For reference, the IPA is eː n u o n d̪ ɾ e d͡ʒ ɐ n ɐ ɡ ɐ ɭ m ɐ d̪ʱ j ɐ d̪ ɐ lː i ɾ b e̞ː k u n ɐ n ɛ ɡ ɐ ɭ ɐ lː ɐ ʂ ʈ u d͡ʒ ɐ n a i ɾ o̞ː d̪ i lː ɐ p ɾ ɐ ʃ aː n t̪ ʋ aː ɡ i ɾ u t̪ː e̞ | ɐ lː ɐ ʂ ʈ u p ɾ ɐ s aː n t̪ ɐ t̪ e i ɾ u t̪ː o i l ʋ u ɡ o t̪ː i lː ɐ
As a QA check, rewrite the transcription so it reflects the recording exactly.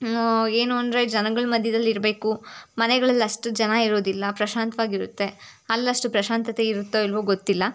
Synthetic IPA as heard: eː n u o n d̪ ɾ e d͡ʒ ɐ n ɐ ɡ ɐ ɭ m ɐ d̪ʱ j ɐ d̪ ɐ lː i ɾ b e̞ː k u m ɐ n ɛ ɡ ɐ ɭ ɐ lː ɐ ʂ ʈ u d͡ʒ ɐ n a i ɾ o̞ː d̪ i lː ɐ p ɾ ɐ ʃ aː n t̪ ʋ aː ɡ i ɾ u t̪ː e̞ | ɐ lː ɐ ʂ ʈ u p ɾ ɐ ʃ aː n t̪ ɐ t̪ e i ɾ u t̪ː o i l ʋ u ɡ o t̪ː i lː ɐ